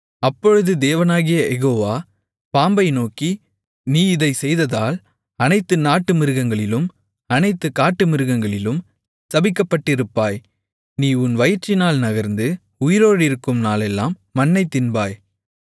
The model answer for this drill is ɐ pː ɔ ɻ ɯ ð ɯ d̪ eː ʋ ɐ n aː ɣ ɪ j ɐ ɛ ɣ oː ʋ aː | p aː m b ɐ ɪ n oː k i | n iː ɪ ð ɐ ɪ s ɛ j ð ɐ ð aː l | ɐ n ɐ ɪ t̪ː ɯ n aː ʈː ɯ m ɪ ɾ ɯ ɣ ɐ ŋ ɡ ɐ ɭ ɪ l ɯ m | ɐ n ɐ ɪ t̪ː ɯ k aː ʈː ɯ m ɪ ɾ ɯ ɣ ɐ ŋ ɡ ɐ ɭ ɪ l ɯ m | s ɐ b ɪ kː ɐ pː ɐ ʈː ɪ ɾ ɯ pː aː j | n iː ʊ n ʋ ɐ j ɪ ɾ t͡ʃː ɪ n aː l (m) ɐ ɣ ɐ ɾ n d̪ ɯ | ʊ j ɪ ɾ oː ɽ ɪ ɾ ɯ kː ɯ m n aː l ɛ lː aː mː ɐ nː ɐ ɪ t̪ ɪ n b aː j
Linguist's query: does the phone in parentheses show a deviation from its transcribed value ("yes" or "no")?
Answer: yes